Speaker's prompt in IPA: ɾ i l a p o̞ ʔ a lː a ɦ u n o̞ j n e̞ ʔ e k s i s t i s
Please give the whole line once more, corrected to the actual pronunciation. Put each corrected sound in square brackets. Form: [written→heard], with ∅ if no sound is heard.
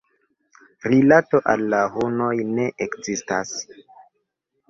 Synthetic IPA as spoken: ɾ i l a [p→t] o̞ ʔ a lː a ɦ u n o̞ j n e̞ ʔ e k [s→z] i s t [i→a] s